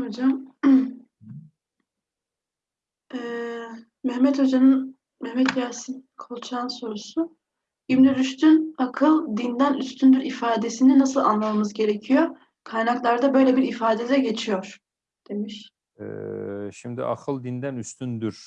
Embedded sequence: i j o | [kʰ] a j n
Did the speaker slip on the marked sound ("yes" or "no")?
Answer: no